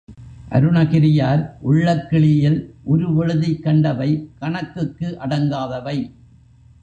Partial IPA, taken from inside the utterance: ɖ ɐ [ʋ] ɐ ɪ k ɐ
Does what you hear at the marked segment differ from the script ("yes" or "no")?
no